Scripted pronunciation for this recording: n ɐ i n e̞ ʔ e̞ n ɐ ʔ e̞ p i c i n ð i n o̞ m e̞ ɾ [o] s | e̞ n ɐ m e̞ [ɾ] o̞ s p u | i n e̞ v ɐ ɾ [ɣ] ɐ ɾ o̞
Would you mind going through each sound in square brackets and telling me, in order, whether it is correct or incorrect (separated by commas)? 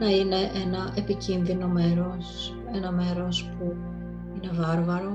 correct, correct, incorrect